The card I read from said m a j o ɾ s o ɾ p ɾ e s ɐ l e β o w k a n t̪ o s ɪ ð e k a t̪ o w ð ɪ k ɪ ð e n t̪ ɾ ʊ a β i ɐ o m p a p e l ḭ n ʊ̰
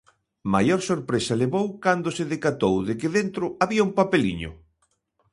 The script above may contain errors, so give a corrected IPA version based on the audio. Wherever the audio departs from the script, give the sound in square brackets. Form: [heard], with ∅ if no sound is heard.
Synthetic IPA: m a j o ɾ s o ɾ p ɾ e s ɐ l e β o w k a n [d̪] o s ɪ ð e k a t̪ o w ð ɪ k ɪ ð e n t̪ ɾ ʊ a β i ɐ [u] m p a p e l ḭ [ɲ] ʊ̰